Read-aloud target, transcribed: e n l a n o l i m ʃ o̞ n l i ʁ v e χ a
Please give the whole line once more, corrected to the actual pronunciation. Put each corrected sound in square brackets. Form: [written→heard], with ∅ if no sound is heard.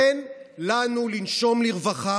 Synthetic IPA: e n l a n [o→u] l i [m→n] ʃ o̞ [n→m] l i ʁ v [e→a] χ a